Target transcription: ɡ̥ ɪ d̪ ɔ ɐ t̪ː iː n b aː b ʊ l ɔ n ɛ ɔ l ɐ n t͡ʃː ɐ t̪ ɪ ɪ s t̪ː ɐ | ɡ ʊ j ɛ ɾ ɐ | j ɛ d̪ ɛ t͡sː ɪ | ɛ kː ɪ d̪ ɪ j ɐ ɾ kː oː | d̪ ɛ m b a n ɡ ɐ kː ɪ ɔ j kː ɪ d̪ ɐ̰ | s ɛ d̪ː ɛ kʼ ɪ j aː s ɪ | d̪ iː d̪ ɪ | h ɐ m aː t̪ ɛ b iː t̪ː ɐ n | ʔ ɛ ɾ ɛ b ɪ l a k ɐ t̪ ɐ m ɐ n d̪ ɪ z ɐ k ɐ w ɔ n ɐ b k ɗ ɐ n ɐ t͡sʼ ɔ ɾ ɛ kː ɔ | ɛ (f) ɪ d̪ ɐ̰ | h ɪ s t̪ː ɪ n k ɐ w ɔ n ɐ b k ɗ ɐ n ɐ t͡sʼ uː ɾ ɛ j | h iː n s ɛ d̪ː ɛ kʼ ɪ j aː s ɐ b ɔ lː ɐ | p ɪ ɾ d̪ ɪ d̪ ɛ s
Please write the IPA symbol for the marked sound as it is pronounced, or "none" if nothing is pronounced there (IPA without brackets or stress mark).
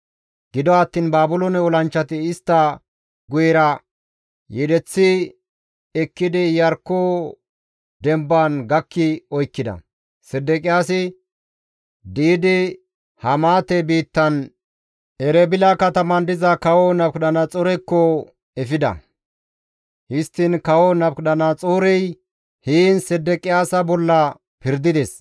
f